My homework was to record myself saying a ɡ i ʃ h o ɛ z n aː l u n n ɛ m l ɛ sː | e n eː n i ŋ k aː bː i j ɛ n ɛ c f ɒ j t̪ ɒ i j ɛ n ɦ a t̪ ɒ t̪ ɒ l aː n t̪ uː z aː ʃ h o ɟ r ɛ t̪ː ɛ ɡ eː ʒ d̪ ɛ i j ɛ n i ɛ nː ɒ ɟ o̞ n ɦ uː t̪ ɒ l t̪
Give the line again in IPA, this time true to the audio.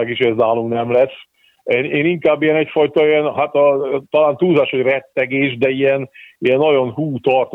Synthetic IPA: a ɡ i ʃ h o ɛ z n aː l u m n ɛ m l ɛ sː | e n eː n i ŋ k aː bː i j ɛ n ɛ c f ɒ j t̪ ɒ i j ɛ n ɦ a t̪ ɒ t̪ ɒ l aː n t̪ uː z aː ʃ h o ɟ r ɛ t̪ː ɛ ɡ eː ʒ d̪ ɛ i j ɛ n i ɛ nː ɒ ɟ o̞ n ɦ uː t̪ ɒ r t̪